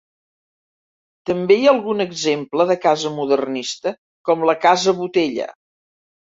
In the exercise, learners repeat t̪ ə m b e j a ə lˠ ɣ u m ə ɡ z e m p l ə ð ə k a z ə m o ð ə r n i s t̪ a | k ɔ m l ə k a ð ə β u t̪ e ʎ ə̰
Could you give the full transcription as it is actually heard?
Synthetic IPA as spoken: t̪ ə m b e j a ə lˠ ɣ u n ə ɡ z e m p l ə ð ə k a z ə m u ð ə r n i s t̪ ə | k ɔ m l ə k a z ə β u t̪ e ʎ ə̰

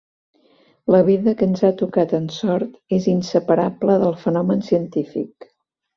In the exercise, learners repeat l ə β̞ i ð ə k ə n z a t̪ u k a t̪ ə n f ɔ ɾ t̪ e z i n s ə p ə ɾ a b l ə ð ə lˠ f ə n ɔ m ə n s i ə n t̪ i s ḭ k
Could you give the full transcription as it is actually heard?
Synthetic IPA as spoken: l ə β̞ i ð ə k ə n z a t̪ u k a t̪ ə n s ɔ ɾ t̪ e z i n s ə p ə ɾ a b l ə ð ə lˠ f ə n ɔ m ə n s i ə n t̪ i f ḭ k

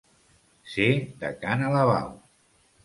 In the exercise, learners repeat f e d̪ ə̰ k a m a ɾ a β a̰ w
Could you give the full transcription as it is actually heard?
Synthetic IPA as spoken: s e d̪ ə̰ k a n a l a β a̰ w

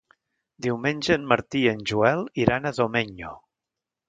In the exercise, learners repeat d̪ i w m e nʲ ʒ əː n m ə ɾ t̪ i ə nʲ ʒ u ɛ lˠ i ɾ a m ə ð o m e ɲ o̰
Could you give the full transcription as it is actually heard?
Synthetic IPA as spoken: d̪ i w m e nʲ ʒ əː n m ə ɾ t̪ i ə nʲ ʒ u ɛ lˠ i ɾ a n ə ð o m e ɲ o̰

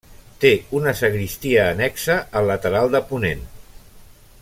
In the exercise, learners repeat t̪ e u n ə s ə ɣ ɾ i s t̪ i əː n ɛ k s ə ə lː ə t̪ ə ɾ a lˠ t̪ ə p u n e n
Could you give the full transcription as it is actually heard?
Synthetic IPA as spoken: t̪ e u n ə s ə ɣ ɾ i s t̪ i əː n ɛ k s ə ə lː ə t̪ ə ɾ a lˠ d̪ ə p u n e n

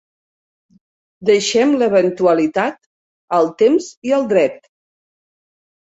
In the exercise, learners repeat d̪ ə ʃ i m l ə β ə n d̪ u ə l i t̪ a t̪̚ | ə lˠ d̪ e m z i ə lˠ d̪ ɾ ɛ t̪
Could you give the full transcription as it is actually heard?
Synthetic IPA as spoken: d̪ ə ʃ ɛ m l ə β ə n t̪ u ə l i t̪ a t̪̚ | ə lˠ t̪ e m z i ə lˠ d̪ ɾ ɛ t̪

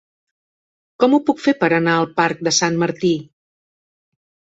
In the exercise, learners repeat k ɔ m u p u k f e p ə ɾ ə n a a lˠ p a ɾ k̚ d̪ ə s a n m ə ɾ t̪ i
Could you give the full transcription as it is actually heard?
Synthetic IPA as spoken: k ɔ m u p u k f e p ə ɾ ə n a ə lˠ p a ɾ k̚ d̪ ə s a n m ə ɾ t̪ i

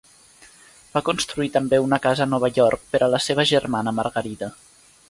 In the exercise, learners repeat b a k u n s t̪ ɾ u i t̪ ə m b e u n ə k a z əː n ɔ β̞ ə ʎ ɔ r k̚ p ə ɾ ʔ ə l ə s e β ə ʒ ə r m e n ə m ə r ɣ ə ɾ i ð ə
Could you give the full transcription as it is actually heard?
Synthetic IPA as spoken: b a k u n s t̪ ɾ u i t̪ ə m b e u n ə k a z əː n ɔ β̞ ə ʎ ɔ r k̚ p ə ɾ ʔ ə l ə s e β ə ʒ ə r m a n ə m ə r ɣ ə ɾ i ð ə

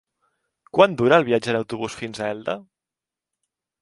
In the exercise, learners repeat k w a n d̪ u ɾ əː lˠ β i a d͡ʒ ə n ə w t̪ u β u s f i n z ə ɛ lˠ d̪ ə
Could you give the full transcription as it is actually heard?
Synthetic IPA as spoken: k w a n d̪ u ɾ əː lˠ β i a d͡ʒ ə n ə w t̪ u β u s f i n z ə ɛ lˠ d̪ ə

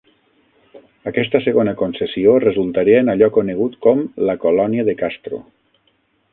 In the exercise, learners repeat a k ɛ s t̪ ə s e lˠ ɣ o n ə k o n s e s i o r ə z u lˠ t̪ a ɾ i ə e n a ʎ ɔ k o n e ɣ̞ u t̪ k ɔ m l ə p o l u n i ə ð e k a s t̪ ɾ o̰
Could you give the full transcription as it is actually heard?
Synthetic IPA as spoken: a k ɛ s t̪ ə s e ɣ o n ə k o n s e s i o r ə z u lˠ t̪ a ɾ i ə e n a ʎ ɔ k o n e ɣ̞ u t̪ k ɔ m l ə k o l ɔ n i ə ð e k a s t̪ ɾ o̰

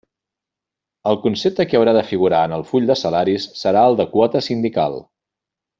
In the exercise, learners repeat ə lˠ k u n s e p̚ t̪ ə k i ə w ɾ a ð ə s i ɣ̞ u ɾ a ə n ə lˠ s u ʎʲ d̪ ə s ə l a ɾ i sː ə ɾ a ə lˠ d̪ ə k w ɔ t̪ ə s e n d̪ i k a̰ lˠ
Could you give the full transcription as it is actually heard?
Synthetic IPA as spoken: ə lˠ k u n s e p̚ t̪ ə k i ə w ɾ a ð ə f i ɣ̞ u ɾ a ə n ə lˠ f u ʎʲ d̪ ə s ə l a ɾ i sː ə ɾ a ə lˠ d̪ ə k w ɔ t̪ ə s i n d̪ i k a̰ lˠ

